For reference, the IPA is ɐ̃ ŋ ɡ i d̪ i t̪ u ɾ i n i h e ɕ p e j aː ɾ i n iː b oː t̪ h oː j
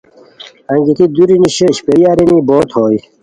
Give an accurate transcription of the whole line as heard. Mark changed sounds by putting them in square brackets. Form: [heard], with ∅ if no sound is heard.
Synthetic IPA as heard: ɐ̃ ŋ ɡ i [t̪] i [d̪] u ɾ i n i [ɕ] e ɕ p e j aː ɾ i n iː b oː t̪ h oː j